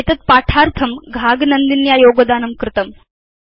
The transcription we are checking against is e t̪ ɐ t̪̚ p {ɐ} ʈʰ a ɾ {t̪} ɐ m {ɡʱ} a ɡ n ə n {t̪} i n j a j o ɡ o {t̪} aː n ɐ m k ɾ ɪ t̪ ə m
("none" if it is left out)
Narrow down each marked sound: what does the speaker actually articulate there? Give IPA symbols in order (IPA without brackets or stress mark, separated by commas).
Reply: a, t̪ʰ, ɡʱ, d̪, d̪